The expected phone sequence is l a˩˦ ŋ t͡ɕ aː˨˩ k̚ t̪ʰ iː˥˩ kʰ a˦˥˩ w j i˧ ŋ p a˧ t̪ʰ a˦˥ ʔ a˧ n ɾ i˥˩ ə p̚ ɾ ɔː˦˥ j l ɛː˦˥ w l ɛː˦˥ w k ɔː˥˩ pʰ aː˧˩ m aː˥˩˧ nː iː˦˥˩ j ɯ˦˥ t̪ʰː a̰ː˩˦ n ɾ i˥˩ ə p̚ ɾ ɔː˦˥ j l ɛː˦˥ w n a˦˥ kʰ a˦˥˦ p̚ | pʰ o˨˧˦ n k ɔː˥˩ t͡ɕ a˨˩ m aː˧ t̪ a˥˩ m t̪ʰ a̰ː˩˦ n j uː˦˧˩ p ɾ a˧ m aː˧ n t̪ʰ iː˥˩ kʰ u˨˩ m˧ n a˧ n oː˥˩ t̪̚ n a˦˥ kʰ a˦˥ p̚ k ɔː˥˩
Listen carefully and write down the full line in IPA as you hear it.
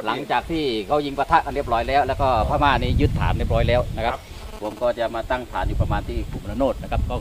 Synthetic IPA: l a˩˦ ŋ t͡ɕ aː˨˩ k̚ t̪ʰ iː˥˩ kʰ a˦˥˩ w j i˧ ŋ p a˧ t̪ʰ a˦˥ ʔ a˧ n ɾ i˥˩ ə p̚ ɾ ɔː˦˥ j l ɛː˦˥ w l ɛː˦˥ w k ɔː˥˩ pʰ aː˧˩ m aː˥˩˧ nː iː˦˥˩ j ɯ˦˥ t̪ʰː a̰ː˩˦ n ɾ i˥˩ ə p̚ ɾ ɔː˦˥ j l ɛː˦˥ w n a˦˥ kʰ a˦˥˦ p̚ | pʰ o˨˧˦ m k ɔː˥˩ t͡ɕ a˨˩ m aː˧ t̪ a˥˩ ŋ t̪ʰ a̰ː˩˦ n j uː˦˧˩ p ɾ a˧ m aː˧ n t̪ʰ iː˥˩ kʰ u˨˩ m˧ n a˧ n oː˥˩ t̪̚ n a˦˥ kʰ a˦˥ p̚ k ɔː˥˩